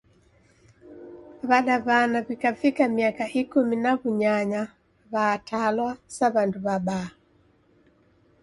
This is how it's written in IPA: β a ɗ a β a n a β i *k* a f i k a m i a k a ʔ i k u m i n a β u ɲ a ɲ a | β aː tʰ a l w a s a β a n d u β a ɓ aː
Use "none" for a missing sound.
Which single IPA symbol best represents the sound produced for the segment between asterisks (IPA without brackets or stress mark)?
k